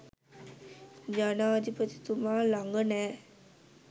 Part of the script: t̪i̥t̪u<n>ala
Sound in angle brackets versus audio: incorrect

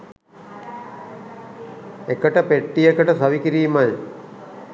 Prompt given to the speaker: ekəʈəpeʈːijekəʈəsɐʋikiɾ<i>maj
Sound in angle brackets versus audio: incorrect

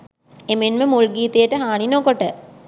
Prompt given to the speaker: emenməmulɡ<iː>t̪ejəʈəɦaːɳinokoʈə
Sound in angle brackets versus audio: correct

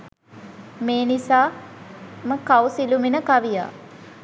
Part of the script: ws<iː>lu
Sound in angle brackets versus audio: incorrect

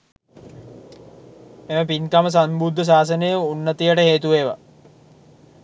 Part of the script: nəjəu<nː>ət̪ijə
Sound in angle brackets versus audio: correct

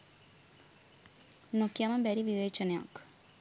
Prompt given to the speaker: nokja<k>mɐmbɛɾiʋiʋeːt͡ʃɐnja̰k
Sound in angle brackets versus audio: incorrect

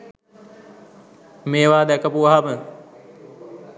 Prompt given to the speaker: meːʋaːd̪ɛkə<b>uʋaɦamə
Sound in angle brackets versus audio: incorrect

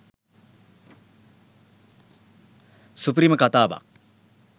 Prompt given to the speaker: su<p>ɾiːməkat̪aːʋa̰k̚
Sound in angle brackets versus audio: correct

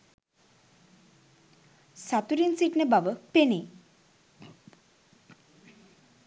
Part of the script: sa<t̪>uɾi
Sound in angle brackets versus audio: correct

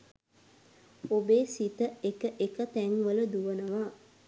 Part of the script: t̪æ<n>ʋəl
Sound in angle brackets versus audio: incorrect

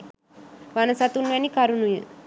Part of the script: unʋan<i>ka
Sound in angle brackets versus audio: correct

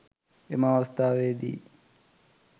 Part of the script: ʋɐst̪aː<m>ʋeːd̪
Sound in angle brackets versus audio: incorrect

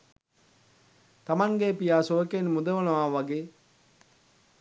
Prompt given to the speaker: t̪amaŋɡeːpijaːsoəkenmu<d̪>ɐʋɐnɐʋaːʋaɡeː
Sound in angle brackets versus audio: correct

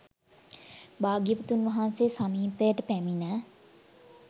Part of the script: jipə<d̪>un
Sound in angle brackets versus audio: incorrect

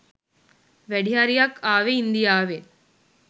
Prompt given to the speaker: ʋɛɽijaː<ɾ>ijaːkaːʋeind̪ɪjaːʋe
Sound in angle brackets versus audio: correct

